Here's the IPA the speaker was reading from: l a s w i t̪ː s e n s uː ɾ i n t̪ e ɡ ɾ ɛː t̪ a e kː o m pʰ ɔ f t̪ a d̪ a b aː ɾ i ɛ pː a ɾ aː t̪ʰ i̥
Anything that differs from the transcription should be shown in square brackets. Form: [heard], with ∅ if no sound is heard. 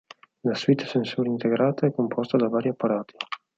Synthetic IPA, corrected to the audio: l a s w i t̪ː s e n s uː ɾ i n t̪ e ɡ ɾ [aː] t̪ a [ɛ] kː o m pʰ ɔ [s] t̪ a d̪ a [v] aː ɾ i [a] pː a ɾ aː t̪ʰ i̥